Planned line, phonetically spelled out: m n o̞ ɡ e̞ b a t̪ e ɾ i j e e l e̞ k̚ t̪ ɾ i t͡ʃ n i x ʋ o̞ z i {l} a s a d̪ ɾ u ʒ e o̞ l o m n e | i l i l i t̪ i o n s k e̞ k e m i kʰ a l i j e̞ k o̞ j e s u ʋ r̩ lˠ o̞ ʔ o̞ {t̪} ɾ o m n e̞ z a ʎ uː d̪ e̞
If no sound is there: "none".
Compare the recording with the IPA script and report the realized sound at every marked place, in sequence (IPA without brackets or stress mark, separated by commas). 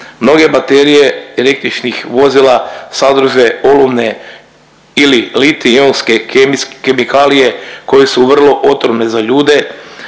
l, t̪